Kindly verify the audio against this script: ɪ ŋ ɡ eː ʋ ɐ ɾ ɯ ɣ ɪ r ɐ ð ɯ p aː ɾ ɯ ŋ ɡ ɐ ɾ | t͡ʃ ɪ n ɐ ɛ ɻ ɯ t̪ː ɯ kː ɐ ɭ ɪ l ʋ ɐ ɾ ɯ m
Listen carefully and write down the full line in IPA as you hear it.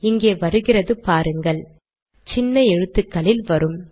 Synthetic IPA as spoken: ɪ ŋ ɡ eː ʋ ɐ ɾ ɯ ɣ ɪ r ɐ ð ɯ p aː ɾ ɯ ŋ ɡ ɐ ɭ | t͡ʃ ɪ nː ɐ ɛ ɻ ɯ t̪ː ɯ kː ɐ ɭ ɪ l ʋ ɐ ɾ ɯ m

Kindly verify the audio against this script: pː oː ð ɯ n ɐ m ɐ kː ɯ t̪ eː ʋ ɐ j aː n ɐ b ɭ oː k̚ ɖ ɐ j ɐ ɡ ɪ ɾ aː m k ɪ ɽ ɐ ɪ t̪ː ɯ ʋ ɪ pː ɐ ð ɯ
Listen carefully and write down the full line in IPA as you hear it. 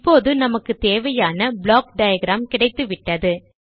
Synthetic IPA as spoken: pː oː ð ɯ n ɐ m ɐ kː ɯ t̪ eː ʋ ɐ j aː n ɐ b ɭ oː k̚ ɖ ɐ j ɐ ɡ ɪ ɾ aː m k ɪ ɽ ɐ ɪ t̪ː ɯ ʋ ɪ ʈː ɐ ð ɯ

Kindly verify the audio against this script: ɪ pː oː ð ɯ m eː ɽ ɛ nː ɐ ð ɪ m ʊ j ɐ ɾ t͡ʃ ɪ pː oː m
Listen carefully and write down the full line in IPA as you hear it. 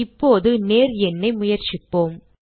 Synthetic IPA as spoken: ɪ pː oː ð ɯ n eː ɾ ɛ nː ɐ ɪ m ʊ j ɐ ɾ t͡ʃ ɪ pː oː m

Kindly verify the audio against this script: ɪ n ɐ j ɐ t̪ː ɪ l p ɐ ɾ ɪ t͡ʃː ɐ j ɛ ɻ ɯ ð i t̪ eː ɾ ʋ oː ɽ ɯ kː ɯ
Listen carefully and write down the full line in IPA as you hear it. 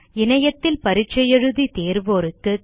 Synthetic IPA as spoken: ɪ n ɐ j ɐ t̪ː ɪ l p ɐ ɾ ɪ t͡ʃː ɐ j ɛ ɻ ɯ ð i t̪ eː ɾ ʋ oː ɾ ɯ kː ɯ

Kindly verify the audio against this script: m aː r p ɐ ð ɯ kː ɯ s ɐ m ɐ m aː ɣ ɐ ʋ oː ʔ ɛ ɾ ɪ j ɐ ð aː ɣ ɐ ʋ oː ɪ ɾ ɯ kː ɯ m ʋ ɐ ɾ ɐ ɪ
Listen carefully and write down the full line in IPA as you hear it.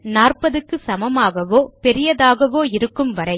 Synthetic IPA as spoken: n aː r p ɐ ð ɯ kː ɯ s ɐ m ɐ m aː ɣ ɐ ʋ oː p ɛ ɾ ɪ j ɐ ð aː ɣ ɐ ʋ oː ɪ ɾ ɯ kː ɯ m ʋ ɐ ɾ ɐ ɪ

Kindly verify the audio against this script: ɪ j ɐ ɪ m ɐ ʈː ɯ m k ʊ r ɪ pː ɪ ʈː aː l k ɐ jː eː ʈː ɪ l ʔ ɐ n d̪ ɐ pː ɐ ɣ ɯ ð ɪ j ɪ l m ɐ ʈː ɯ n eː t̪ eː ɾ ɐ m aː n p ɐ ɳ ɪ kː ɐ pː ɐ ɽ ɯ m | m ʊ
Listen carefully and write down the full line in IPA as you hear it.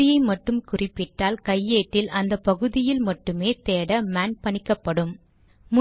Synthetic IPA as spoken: ɪ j ɐ ɪ m ɐ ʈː ɯ m k ʊ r ɪ pː ɪ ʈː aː l k ɐ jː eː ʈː ɪ l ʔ ɐ n d̪ ɐ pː ɐ ɣ ɯ ð ɪ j ɪ l m ɐ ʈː ɯ m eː t̪ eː ɽ ɐ m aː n p ɐ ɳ ɪ kː ɐ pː ɐ ɽ ɯ m | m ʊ

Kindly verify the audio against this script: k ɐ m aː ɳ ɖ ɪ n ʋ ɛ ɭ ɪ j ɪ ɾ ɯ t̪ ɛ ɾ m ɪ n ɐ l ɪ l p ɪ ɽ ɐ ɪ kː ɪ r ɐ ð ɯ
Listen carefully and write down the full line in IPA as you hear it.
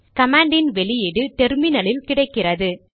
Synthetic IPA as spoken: k ɐ m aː ɳ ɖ ɪ n ʋ ɛ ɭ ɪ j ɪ ɽ ɯ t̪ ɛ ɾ m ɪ n ɐ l ɪ l k ɪ ɽ ɐ ɪ kː ɪ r ɐ ð ɯ

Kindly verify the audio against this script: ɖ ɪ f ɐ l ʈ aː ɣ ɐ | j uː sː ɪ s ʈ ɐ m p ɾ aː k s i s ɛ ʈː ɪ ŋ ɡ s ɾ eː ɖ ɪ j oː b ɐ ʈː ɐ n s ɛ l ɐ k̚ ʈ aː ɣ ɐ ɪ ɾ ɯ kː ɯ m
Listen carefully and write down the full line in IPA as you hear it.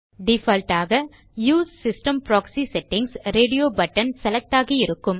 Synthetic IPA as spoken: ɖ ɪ f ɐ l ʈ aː ɣ ɐ | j uː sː ɪ s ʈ ɐ m p ɾ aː k s i s ɛ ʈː ɪ ŋ ɡ s ɾ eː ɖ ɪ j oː b ɐ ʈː ɐ n s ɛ l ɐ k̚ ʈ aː ɣ ɐ ɪ ɾ ɯ kː ɯ m

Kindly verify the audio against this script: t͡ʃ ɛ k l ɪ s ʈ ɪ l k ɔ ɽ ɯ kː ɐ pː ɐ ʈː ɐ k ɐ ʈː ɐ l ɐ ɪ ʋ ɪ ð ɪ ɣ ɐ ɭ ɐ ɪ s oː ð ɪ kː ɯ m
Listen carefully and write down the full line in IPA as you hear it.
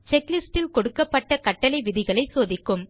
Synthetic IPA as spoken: t͡ʃ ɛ k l ɪ s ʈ ɪ l k ɔ ɽ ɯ kː ɐ pː ɐ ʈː ɐ k ɐ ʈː ɐ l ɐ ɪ ʋ ɪ ð ɪ ɣ ɐ ɭ ɐ ɪ s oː ð ɪ kː ɯ m

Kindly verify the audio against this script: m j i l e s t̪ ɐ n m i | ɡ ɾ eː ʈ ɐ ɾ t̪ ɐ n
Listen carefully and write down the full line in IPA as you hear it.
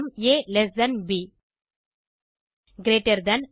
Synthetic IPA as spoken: m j e l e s d̪ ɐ n b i | ɡ ɾ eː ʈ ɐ ɾ d̪ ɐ n

